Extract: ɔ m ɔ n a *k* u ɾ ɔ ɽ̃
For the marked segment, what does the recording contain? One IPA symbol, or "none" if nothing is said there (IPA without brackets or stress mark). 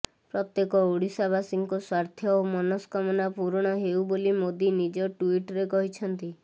p